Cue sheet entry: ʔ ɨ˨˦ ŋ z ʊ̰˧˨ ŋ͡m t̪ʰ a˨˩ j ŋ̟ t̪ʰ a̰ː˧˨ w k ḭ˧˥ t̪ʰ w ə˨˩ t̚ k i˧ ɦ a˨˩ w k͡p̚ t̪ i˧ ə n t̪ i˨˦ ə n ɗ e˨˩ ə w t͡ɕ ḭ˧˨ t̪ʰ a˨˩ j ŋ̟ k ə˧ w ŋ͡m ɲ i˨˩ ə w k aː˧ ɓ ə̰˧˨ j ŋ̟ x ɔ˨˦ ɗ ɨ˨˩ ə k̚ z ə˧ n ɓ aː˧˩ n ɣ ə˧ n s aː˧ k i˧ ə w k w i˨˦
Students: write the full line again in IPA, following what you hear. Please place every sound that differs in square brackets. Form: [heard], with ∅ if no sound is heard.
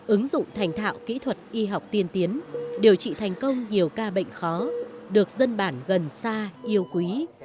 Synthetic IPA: ʔ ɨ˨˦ ŋ z ʊ̰˧˨ ŋ͡m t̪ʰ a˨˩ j ŋ̟ t̪ʰ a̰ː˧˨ w k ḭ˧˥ t̪ʰ w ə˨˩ t̚ [ʔ] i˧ ɦ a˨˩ w k͡p̚ t̪ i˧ ə n t̪ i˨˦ ə n ɗ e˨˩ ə w t͡ɕ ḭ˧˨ t̪ʰ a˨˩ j ŋ̟ k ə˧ w ŋ͡m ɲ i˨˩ ə w k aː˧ ɓ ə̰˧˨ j ŋ̟ x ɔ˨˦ ɗ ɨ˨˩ ə k̚ z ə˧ n ɓ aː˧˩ n ɣ [ə˨˩] n s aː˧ [ʔ] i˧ ə w k w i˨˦

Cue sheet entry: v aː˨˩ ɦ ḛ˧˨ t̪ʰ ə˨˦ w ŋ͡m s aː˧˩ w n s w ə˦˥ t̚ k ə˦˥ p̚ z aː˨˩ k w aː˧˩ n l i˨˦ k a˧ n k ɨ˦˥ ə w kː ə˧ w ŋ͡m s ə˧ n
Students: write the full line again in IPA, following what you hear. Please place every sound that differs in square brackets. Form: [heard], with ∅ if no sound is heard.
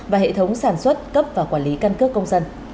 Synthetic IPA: v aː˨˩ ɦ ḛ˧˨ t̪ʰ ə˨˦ w ŋ͡m s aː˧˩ [∅] n s w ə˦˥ t̚ k ə˦˥ p̚ [v] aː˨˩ k w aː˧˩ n l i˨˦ k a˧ n k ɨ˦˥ ə [∅] kː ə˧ w ŋ͡m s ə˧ n

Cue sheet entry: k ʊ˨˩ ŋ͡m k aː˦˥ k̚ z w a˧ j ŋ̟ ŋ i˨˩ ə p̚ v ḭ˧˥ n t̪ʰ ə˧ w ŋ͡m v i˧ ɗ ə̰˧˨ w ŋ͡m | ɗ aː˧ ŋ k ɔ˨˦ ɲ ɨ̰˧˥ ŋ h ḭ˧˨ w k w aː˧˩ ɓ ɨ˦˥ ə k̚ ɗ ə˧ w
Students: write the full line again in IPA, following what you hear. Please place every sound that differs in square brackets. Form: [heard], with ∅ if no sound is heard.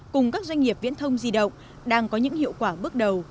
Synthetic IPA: k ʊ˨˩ ŋ͡m k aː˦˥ k̚ z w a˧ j ŋ̟ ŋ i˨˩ ə p̚ v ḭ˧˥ n t̪ʰ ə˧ w ŋ͡m [z] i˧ ɗ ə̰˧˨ w ŋ͡m | ɗ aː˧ ŋ k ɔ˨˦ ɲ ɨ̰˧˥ ŋ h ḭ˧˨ w k w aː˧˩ ɓ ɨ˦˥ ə k̚ ɗ [ə˨˩] w

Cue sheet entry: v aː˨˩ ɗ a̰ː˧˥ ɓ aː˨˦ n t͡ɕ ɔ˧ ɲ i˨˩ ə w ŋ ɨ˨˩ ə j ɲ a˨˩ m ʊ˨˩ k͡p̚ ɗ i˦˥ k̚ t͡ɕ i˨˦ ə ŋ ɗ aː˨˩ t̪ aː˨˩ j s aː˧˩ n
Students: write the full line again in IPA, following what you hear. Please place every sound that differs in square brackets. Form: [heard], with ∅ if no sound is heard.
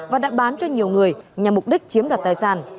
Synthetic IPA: v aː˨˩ ɗ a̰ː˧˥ ɓ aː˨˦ n t͡ɕ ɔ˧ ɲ i˨˩ ə w ŋ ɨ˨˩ ə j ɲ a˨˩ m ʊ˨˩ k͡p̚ ɗ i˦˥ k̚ t͡ɕ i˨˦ ə [m] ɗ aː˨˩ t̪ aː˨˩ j s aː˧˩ n

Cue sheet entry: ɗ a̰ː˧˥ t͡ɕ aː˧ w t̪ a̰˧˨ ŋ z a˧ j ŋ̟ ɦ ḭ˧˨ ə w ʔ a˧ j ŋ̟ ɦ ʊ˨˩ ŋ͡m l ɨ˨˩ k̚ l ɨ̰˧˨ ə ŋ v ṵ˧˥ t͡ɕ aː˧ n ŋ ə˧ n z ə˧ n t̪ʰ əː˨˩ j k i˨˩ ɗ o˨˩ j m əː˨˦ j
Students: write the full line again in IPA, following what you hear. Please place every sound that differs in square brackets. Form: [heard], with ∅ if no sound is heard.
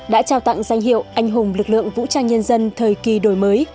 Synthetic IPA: ɗ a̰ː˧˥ t͡ɕ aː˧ w t̪ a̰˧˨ ŋ z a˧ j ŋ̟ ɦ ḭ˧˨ ə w ʔ a˧ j ŋ̟ ɦ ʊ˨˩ ŋ͡m l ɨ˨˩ k̚ l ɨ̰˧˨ ə ŋ v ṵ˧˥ t͡ɕ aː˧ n [ɲ] ə˧ n z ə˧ n t̪ʰ əː˨˩ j k i˨˩ ɗ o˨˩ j m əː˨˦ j

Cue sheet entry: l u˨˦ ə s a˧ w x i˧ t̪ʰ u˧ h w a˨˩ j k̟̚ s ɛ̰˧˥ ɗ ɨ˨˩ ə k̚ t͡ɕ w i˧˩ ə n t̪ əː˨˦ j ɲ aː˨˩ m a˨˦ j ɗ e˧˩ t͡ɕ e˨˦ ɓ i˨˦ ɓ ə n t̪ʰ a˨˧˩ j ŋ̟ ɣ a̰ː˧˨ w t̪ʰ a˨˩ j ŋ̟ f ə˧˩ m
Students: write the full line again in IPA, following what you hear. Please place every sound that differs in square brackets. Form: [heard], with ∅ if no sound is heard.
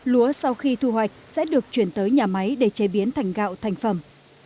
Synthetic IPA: l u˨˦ ə s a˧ w x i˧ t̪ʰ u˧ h w a˨˩ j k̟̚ s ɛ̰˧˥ ɗ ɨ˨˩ ə k̚ t͡ɕ w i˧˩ ə n t̪ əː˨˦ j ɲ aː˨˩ m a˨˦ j ɗ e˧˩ t͡ɕ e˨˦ ɓ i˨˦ [∅] ə n t̪ʰ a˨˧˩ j ŋ̟ ɣ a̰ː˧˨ w t̪ʰ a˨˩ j ŋ̟ f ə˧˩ m

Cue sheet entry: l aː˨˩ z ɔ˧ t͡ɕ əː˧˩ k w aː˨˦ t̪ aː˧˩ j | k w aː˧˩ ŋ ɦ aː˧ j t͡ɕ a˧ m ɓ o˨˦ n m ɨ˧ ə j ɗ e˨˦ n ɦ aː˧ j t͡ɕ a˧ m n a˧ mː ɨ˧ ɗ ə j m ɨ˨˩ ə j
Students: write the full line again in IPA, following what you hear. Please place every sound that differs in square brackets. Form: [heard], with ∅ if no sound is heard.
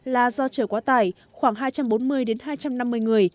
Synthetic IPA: l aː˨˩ z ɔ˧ t͡ɕ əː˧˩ k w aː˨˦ t̪ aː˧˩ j | [x] w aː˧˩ ŋ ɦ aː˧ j t͡ɕ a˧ m ɓ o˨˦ n m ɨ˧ ə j ɗ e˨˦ n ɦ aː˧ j t͡ɕ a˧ m n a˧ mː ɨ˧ [∅] ə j [ŋ] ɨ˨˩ ə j

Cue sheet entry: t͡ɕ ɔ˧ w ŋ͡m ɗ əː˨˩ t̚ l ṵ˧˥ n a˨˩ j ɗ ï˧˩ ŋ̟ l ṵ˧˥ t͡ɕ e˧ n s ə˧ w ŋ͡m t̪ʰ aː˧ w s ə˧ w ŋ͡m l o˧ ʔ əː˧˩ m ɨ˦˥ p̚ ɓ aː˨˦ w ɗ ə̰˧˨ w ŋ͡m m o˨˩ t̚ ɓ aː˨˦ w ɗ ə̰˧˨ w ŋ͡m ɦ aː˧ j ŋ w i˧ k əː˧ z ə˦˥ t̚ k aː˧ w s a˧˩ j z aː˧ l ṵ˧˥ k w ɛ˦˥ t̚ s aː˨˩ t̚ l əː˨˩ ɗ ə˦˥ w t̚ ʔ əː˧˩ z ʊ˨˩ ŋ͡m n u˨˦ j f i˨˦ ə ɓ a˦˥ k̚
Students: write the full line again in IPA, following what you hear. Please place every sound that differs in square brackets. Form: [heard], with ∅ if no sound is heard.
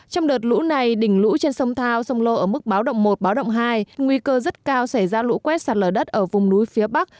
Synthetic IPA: t͡ɕ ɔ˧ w ŋ͡m ɗ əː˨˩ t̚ l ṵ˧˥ n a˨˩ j ɗ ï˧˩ ŋ̟ l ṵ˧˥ t͡ɕ e˧ n s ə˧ w ŋ͡m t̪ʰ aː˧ w s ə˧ w ŋ͡m l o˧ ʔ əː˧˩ m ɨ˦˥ [k̚] ɓ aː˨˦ w ɗ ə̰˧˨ w ŋ͡m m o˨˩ t̚ ɓ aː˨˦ w ɗ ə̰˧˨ w ŋ͡m ɦ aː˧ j ŋ w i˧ k əː˧ z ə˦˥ t̚ k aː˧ w s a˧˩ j z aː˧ l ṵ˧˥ k w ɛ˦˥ t̚ s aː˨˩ t̚ l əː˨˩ ɗ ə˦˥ [∅] t̚ ʔ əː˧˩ [v] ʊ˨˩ ŋ͡m n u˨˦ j f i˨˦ ə ɓ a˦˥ k̚

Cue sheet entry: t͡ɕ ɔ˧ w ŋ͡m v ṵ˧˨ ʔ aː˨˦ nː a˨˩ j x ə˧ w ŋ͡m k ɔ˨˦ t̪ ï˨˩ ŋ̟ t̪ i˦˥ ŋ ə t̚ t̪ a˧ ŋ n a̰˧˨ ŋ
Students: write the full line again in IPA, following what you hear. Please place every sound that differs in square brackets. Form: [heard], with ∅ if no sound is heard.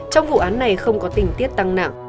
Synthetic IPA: t͡ɕ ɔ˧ w ŋ͡m v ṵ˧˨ ʔ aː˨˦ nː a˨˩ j x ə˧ w ŋ͡m k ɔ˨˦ t̪ ï˨˩ ŋ̟ t̪ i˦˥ [∅] ə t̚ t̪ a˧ ŋ n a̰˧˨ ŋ

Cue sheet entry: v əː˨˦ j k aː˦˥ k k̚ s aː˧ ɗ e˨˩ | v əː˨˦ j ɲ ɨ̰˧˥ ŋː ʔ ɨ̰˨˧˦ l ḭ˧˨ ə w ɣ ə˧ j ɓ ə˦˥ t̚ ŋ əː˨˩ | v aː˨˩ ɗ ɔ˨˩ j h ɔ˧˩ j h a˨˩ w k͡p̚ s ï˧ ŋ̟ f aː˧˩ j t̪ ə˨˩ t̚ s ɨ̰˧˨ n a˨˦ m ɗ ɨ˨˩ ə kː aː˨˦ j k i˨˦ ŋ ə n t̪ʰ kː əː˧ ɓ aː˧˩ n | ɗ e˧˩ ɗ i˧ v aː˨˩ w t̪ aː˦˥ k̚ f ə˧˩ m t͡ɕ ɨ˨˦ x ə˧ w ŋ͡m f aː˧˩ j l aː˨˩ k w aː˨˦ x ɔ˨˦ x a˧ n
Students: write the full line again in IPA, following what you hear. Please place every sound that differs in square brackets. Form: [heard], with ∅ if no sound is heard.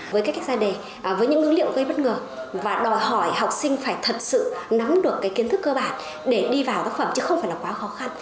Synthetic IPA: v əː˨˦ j k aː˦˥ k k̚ [z] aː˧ ɗ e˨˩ | v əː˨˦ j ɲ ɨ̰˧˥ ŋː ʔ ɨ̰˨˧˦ l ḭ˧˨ ə w ɣ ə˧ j ɓ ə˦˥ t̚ ŋ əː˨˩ | v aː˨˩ ɗ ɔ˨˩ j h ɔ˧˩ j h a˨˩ w k͡p̚ s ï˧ ŋ̟ f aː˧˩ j [t̪ʰ] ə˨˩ t̚ s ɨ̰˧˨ n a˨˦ m ɗ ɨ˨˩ ə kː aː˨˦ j k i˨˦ [∅] ə n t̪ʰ kː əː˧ ɓ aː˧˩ n | ɗ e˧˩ ɗ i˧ v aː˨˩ w t̪ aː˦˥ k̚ f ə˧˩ m t͡ɕ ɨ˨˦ x ə˧ w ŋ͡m f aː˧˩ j l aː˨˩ k w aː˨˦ x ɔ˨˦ x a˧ n

